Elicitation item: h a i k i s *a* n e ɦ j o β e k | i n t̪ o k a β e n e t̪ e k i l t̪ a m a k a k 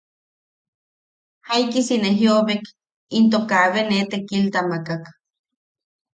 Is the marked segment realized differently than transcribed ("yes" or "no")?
yes